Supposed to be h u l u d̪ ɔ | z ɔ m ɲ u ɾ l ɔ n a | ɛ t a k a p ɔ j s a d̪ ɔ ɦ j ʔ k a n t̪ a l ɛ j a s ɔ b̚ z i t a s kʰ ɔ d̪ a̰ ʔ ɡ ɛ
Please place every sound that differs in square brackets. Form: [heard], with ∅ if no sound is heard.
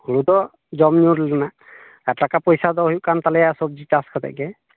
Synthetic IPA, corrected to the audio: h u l u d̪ ɔ | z ɔ m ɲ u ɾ l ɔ n a | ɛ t a k a p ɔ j s a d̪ ɔ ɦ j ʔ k a n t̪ a l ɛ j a s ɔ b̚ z i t a s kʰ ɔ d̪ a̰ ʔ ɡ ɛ